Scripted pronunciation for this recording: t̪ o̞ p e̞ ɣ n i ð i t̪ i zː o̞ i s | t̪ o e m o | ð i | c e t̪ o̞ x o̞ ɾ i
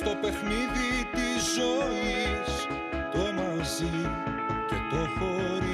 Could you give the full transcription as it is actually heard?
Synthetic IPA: t̪ o̞ p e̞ x n i ð i t̪ i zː o̞ i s | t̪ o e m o | z i | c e t̪ o̞ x o̞ ɾ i